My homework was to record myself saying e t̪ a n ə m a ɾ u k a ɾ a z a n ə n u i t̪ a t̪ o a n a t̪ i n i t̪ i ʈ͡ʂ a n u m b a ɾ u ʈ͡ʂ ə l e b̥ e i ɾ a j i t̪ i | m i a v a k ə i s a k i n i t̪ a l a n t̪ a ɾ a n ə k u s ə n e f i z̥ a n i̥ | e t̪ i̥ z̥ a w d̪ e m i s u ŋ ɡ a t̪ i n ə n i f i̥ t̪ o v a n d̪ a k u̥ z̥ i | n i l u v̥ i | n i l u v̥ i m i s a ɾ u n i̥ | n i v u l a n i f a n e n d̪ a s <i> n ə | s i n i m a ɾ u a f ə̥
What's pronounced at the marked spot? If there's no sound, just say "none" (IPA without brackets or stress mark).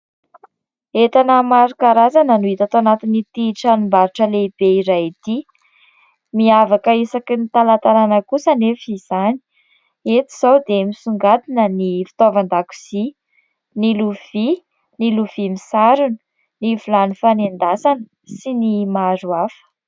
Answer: a